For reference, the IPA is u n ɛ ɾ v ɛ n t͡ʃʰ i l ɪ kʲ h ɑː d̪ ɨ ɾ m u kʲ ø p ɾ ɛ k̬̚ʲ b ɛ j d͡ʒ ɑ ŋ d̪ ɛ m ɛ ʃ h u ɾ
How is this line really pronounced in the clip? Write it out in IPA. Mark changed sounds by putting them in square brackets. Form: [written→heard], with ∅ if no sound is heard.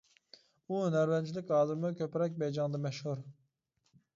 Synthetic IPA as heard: u n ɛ ɾ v ɛ n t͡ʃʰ i l ɪ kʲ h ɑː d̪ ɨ ɾ m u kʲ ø p ɾ ɛ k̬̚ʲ b ɛ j d͡ʒ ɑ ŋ d̪ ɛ m ɛ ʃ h u ɾ